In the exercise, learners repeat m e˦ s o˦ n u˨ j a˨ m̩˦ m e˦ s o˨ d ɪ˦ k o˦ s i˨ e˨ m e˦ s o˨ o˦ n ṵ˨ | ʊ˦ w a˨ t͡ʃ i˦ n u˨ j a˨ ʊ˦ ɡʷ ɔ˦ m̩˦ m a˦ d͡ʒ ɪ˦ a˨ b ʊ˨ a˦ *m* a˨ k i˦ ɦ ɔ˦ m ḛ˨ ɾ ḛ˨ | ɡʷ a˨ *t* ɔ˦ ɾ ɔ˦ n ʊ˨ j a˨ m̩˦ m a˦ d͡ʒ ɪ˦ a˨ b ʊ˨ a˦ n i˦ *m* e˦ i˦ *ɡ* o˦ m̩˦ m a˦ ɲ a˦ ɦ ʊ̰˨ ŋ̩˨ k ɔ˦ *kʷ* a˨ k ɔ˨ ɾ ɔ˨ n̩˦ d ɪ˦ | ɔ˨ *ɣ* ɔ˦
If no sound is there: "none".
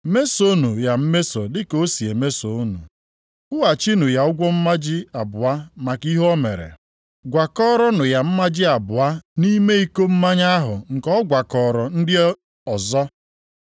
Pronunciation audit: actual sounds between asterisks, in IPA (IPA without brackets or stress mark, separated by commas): m, k, m, k, ɡʷ, z